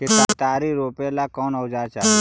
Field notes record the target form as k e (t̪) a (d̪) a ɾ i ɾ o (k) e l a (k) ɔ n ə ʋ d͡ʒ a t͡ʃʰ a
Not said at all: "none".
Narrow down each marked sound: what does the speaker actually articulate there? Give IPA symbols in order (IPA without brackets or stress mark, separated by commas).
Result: t̪, t̪, p, k